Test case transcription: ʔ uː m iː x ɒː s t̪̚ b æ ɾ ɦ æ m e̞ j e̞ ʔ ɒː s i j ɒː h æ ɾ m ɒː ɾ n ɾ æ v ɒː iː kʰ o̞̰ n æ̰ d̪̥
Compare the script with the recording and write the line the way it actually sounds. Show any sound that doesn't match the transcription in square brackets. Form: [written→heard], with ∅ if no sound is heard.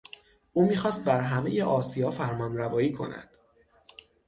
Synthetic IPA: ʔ uː m iː x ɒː s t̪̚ b æ ɾ ɦ æ m e̞ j e̞ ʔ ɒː s i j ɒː [h→f] æ ɾ m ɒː [ɾ→∅] n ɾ æ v ɒː iː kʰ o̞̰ n æ̰ d̪̥